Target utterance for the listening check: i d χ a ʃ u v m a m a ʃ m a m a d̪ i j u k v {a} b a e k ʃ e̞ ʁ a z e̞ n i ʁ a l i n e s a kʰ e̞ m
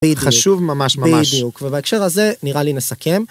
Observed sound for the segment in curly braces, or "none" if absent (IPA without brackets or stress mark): e